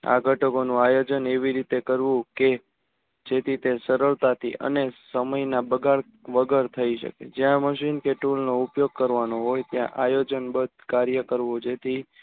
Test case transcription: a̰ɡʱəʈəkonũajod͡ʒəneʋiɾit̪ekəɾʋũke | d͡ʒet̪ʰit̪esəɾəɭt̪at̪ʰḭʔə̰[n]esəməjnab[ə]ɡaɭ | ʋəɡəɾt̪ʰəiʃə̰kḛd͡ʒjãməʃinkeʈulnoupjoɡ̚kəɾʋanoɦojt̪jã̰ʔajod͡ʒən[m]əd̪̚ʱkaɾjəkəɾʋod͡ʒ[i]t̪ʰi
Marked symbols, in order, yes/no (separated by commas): yes, yes, no, no